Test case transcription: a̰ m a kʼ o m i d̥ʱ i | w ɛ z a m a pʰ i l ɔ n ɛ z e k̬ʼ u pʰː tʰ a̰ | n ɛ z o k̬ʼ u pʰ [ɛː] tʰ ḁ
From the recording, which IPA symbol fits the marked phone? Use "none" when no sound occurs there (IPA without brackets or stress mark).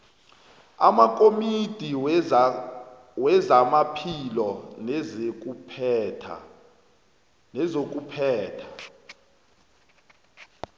ɛː